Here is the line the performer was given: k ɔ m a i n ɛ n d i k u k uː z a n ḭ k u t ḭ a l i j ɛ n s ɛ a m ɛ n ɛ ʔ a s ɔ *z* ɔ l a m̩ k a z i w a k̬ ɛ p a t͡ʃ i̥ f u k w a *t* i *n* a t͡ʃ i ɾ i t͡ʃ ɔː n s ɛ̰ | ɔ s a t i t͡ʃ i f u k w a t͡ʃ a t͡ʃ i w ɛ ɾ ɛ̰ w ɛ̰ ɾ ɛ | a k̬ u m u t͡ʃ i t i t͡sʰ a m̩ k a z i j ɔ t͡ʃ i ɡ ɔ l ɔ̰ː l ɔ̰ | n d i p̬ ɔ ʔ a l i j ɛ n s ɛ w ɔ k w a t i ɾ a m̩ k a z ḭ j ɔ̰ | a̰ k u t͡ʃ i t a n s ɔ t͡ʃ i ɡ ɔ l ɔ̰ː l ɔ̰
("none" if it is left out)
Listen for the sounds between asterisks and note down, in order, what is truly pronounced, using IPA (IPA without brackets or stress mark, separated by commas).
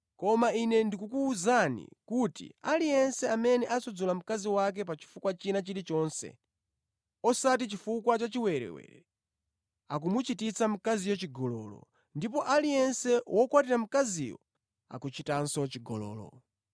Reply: d͡z, t͡ʃ, n